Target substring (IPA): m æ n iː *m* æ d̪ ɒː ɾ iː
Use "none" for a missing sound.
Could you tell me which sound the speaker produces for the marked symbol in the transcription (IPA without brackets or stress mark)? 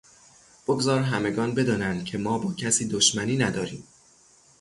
n